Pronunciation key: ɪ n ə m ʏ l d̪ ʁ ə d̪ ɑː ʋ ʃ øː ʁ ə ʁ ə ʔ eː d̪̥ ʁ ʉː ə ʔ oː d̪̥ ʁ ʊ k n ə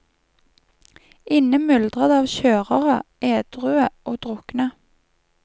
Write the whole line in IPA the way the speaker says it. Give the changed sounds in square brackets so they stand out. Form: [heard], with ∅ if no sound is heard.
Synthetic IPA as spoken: ɪ n ə m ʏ l d̪ ʁ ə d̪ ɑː ʋ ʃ øː ʁ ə ʁ ə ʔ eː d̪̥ ʁ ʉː ə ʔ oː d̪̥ ʁ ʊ k n ə